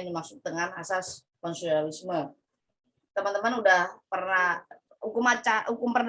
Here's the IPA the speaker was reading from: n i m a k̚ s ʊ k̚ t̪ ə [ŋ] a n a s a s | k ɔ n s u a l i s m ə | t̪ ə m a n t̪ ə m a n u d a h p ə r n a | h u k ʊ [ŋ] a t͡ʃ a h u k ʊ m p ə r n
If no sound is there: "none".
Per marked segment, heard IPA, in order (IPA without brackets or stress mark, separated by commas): ŋ, m